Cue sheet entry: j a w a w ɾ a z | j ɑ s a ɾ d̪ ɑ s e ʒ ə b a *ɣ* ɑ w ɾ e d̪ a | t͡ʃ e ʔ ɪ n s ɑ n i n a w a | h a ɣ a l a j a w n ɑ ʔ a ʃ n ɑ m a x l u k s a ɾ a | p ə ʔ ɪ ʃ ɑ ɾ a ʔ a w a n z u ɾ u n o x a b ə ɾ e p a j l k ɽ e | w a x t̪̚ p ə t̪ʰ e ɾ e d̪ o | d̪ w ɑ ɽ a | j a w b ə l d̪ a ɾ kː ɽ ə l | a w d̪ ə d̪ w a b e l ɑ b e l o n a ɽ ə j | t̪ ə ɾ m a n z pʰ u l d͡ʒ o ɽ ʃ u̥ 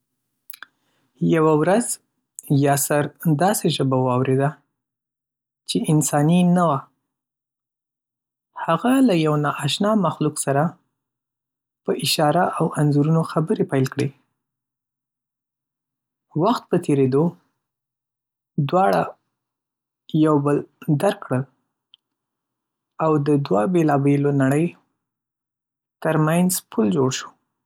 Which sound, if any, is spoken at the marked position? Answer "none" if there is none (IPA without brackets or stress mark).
w